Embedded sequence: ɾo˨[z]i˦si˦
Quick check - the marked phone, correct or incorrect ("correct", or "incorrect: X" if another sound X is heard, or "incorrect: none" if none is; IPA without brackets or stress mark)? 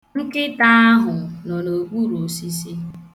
incorrect: s